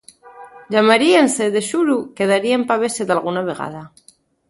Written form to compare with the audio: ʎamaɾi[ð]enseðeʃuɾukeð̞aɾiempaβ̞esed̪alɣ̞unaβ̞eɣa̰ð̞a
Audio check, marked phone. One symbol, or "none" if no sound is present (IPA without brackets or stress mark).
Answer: none